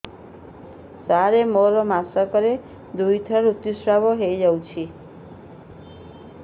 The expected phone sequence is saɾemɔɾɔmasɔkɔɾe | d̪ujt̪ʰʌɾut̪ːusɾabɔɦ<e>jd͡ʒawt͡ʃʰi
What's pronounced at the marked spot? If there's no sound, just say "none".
e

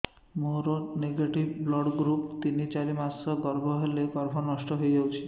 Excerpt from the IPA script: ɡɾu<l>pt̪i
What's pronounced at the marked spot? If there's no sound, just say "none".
none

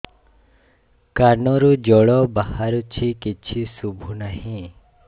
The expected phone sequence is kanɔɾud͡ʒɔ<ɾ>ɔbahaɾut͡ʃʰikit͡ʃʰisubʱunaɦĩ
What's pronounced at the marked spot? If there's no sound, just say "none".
ɭ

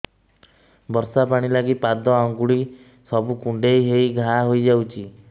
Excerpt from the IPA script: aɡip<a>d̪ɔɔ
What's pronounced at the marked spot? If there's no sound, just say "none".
a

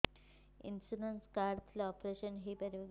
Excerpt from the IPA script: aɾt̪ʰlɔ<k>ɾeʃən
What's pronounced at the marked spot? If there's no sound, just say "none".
p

